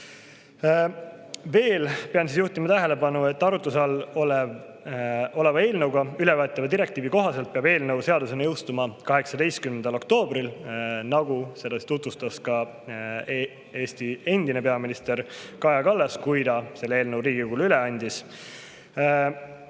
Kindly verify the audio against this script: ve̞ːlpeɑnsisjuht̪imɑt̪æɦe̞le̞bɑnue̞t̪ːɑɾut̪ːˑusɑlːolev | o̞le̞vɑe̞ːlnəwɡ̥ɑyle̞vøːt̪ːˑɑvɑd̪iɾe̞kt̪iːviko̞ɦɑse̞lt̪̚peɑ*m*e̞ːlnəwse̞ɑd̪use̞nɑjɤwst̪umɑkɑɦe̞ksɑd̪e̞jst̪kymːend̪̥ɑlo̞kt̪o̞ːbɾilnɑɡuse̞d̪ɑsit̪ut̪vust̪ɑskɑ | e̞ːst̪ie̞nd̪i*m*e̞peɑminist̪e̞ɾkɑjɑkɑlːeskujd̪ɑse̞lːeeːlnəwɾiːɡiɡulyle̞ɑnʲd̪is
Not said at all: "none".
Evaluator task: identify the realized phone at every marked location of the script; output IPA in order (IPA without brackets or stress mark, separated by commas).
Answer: b, n